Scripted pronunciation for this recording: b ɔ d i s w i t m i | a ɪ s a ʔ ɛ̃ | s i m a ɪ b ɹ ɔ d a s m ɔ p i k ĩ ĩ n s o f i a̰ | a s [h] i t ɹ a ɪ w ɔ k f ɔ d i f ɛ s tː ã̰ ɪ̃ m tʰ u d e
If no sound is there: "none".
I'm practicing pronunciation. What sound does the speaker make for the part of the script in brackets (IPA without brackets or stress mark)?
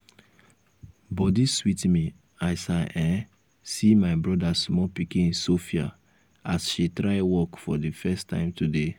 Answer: ʃ